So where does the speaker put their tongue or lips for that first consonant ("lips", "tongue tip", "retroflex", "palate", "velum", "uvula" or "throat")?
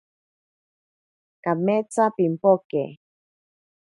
velum